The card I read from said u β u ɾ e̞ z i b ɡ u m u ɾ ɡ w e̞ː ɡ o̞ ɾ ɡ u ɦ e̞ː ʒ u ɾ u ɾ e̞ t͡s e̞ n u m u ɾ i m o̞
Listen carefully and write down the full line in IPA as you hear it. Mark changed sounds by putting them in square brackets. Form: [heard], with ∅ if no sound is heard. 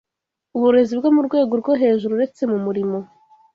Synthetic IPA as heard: u β u ɾ e̞ z i b ɡ [o] m u ɾ ɡ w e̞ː ɡ o̞ ɾ ɡ [o] ɦ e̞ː ʒ u ɾ u ɾ e̞ t͡s e̞ [m] u m u ɾ i m o̞